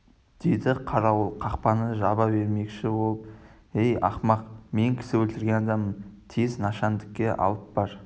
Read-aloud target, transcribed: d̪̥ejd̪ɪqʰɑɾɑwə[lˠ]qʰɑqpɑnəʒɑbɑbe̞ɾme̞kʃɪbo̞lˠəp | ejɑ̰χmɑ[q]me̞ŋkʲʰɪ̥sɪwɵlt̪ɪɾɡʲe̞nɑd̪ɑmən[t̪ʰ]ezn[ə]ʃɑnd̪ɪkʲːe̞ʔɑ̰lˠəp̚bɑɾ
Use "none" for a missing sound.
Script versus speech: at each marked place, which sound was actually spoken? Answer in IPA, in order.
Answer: lˠ, q, t̪ʰ, ɑ

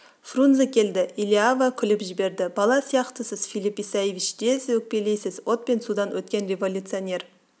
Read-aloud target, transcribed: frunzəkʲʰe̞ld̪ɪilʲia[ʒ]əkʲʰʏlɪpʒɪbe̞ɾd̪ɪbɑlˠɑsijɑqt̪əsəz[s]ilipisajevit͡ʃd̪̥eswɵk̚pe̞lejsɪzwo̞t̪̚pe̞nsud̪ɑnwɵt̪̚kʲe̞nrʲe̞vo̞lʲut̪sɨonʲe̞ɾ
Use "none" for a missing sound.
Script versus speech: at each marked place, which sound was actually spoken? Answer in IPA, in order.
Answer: v, f

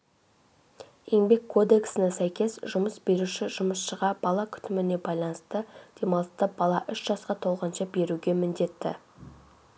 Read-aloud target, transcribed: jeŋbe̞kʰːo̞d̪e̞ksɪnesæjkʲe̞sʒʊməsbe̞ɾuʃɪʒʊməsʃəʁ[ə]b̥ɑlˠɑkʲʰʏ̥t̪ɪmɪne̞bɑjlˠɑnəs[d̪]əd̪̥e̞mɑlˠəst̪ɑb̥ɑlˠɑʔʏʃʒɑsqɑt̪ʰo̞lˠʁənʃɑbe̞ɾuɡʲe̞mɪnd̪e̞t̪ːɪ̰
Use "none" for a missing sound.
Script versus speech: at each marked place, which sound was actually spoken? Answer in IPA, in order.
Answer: ɑ, t̪

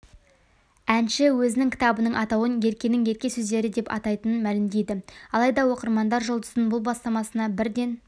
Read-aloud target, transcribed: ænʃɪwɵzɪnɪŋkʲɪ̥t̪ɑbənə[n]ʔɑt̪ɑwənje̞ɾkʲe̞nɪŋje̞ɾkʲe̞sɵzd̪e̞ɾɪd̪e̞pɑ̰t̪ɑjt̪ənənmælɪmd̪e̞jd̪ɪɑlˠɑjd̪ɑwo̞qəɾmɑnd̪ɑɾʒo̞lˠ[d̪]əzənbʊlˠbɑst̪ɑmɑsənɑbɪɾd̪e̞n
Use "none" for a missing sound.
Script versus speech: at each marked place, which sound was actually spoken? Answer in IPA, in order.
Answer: ɴ, d̪

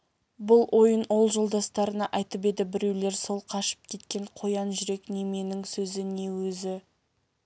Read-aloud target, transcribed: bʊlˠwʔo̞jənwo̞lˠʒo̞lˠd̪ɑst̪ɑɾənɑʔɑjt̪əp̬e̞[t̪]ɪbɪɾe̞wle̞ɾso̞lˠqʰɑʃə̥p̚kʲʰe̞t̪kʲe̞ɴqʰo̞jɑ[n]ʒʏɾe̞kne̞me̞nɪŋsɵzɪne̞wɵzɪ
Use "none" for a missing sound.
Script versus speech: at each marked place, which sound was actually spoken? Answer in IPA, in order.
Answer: d̪, n

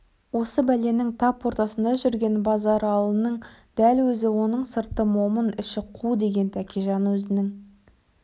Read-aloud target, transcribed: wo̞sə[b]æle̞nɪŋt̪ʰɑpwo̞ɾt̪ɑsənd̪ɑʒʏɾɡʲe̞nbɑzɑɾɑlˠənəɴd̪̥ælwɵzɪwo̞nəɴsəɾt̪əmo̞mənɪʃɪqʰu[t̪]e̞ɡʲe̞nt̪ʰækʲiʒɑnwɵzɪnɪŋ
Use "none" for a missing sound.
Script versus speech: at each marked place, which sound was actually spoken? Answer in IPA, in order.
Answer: b, d̪

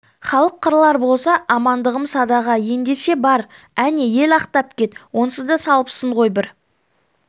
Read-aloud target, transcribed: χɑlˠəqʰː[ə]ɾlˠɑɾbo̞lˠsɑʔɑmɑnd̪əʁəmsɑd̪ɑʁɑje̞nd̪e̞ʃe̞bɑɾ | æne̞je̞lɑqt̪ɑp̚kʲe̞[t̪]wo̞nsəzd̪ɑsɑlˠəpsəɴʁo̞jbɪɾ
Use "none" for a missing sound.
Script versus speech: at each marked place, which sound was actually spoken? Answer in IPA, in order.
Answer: ə, t̪

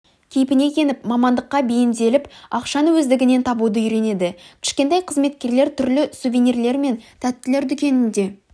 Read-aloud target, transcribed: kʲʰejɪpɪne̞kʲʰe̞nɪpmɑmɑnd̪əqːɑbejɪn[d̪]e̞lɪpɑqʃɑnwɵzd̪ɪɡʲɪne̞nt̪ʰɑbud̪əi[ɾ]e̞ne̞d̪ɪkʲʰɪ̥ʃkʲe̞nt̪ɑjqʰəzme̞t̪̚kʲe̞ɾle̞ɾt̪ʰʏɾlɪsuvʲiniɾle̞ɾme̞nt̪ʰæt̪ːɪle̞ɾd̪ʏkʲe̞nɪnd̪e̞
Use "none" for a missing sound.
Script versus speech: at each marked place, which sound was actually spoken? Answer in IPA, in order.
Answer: d̪, ɾ

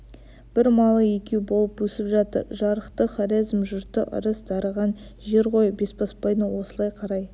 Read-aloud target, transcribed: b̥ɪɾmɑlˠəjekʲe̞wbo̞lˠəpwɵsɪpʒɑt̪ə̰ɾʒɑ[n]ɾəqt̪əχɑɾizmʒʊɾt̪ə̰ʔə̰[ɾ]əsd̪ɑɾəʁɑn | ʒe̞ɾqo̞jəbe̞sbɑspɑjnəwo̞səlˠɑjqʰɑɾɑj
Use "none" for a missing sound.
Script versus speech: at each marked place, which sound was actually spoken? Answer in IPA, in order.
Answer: none, ɾ

